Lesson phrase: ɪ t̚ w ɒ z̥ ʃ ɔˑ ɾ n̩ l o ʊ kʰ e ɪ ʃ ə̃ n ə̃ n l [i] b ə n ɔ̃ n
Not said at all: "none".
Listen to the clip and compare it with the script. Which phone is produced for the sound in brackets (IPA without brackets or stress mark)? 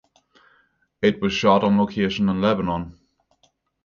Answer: ɛ